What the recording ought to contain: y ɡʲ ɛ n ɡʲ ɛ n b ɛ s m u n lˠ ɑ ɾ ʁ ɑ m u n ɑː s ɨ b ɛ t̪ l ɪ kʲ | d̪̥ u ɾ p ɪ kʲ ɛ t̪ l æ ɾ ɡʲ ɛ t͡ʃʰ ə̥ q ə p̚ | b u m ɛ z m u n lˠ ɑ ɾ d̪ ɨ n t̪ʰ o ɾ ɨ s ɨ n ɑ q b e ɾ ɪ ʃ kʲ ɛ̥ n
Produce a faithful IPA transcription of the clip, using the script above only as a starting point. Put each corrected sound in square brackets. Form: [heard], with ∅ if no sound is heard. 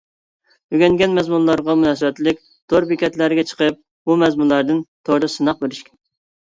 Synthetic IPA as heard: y ɡʲ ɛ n ɡʲ ɛ n [m] ɛ [z] m u n lˠ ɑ ɾ ʁ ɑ m u n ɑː s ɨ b ɛ t̪ l ɪ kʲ | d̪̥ [o] ɾ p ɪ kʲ ɛ t̪ l æ ɾ ɡʲ ɛ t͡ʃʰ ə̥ q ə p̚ | b u m ɛ z m u n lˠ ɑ ɾ d̪ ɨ n t̪ʰ o ɾ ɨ s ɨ n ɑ q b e ɾ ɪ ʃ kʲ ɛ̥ n